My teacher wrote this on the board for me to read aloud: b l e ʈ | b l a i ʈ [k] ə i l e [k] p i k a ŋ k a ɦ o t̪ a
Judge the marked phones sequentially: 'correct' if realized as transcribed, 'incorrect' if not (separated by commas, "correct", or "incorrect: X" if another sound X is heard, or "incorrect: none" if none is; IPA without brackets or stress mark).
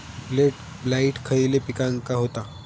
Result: incorrect: kʰ, incorrect: none